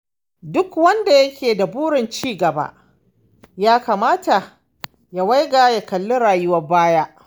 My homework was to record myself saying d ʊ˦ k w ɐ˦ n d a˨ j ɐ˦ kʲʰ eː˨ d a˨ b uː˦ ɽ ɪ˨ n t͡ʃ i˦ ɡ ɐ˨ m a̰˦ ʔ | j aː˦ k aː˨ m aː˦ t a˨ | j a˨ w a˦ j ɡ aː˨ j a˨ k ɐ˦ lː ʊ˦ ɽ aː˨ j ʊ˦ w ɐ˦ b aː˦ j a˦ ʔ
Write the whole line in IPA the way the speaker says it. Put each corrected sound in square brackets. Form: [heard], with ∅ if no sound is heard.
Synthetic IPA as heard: d ʊ˦ k w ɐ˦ n d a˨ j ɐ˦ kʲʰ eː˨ d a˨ b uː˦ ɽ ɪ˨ n t͡ʃ [iː˦] ɡ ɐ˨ [b] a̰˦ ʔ | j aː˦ k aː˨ m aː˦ t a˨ | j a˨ w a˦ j ɡ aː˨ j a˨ k [ɐ˨] lː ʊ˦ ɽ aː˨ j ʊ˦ w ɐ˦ b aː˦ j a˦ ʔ